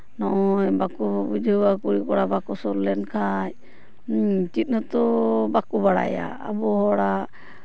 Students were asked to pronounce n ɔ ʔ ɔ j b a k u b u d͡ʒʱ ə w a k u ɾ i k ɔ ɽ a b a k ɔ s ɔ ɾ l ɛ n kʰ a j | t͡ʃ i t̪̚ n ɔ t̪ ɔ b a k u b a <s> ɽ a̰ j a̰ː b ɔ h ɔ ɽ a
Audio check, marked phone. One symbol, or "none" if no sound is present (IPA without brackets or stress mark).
none